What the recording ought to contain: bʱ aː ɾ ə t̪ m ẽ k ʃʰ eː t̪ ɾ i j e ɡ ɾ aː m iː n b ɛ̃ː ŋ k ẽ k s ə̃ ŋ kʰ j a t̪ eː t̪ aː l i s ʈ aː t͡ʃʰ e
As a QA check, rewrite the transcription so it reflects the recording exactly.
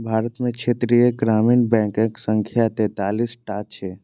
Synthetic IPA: bʱ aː ɾ ə t̪ m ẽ k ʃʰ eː t̪ ɾ i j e ɡ ɾ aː m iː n b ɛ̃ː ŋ k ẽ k s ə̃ ŋ kʰ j a t̪ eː t̪ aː l i s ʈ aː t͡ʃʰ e

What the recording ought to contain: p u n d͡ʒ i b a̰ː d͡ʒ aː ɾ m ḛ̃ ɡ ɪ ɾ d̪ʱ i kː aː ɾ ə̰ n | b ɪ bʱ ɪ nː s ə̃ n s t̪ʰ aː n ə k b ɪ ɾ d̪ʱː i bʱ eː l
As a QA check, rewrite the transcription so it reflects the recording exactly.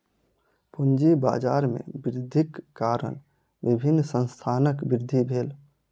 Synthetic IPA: p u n d͡ʒ i b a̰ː d͡ʒ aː ɾ m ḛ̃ b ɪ ɾ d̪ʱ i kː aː ɾ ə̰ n | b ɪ bʱ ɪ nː s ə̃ n s t̪ʰ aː n ə k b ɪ ɾ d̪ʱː i bʱ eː l

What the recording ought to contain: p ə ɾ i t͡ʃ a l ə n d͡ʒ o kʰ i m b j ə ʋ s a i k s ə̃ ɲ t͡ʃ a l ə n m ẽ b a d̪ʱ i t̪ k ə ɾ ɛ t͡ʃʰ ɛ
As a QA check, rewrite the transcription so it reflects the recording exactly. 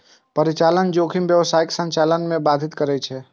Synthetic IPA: p ə ɾ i t͡ʃ a l ə n d͡ʒ o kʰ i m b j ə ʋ s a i k s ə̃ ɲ t͡ʃ a l ə n m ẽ b a d̪ʱ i t̪ k ə ɾ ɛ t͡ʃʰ ɛ

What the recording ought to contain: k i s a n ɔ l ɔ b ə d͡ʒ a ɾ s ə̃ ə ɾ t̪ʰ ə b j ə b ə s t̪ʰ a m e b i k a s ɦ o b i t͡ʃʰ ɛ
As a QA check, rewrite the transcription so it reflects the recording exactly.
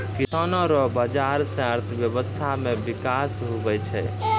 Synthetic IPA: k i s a n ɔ ɾ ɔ b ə d͡ʒ a ɾ s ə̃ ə ɾ t̪ʰ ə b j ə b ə s t̪ʰ a m e b i k a s ɦ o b ɛ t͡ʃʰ ɛ

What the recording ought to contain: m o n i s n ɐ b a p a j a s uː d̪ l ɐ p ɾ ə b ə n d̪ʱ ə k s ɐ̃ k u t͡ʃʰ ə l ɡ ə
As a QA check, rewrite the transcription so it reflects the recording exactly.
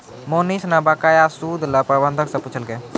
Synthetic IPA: m o n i s n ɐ b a k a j a s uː d̪ l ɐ p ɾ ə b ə n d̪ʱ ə k s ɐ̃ p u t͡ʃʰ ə l ɡ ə

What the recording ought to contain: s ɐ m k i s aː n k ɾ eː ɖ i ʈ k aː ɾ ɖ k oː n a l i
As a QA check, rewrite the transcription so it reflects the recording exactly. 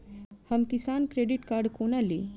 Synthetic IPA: h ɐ m k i s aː n k ɾ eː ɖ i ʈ k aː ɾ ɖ k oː n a l i

